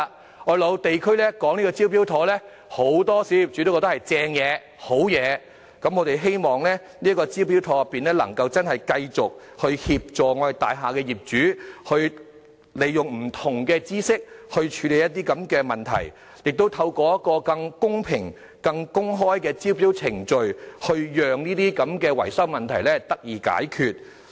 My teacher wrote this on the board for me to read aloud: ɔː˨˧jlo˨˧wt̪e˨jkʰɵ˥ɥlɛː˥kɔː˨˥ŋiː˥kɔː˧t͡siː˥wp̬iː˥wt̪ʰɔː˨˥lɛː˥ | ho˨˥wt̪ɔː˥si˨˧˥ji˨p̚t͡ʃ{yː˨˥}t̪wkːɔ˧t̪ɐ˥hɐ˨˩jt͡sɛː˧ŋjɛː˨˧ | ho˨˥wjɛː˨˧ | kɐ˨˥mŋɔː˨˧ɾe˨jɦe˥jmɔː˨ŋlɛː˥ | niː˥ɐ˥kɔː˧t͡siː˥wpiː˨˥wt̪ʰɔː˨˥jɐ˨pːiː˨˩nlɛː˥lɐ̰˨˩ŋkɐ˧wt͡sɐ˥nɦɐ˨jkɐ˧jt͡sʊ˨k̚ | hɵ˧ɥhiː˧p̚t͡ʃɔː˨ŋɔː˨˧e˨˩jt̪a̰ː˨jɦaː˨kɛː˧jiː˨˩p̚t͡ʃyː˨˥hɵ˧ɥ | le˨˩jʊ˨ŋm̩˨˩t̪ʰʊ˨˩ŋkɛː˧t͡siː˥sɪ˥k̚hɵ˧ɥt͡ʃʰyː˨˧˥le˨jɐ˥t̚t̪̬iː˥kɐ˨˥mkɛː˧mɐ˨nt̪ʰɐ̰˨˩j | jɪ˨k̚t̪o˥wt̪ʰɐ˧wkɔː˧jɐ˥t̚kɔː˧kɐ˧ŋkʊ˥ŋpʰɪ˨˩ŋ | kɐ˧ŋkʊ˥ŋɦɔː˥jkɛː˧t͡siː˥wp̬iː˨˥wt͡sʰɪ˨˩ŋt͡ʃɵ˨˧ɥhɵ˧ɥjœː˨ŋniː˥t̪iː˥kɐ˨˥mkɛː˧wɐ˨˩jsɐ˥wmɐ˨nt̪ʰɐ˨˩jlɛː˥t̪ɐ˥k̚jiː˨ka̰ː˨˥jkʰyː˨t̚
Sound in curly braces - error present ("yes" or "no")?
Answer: yes